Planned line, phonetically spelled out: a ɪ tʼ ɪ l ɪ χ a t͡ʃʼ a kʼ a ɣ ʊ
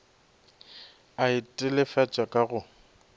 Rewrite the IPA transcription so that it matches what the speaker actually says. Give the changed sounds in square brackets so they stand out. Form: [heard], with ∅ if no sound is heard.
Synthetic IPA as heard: a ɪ tʼ ɪ l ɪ [f] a t͡ʃʼ a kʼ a ɣ ʊ